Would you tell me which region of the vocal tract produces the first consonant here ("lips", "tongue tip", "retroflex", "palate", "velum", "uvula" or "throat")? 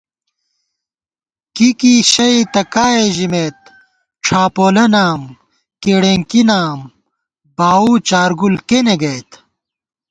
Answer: velum